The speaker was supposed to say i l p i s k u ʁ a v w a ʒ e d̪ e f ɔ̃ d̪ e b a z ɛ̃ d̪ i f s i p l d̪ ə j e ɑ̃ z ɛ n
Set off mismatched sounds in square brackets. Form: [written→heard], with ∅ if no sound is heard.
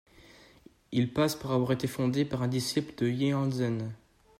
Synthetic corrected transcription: i l p [i→a] s [k→p] u ʁ a v w a [ʒ→ʁ] e [d̪→t̪] e f ɔ̃ d̪ e [b→p] a [z→ʁ] ɛ̃ d̪ i [f→∅] s i p l d̪ ə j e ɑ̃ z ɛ n